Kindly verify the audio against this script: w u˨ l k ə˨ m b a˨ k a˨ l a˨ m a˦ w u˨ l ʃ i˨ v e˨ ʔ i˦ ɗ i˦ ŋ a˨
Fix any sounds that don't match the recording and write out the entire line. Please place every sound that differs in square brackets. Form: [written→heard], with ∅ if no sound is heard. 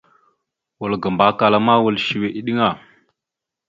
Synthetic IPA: w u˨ l [k→ɡ] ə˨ m b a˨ k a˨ l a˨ m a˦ w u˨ l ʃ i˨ [v→w] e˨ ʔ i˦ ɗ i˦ ŋ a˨